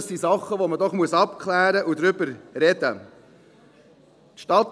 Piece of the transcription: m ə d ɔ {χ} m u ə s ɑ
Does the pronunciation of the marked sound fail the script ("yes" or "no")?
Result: no